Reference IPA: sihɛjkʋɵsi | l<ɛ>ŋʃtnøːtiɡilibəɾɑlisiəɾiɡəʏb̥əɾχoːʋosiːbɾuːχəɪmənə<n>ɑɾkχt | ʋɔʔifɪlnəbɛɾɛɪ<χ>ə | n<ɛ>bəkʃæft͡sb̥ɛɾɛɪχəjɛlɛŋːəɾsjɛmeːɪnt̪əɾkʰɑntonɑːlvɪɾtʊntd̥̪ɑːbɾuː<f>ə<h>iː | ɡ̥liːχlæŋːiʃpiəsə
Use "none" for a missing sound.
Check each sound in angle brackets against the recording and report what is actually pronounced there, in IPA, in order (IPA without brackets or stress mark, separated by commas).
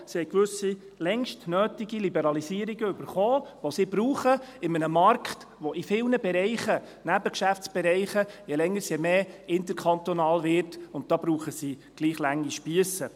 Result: ɛ, m, χ, æ, χ, s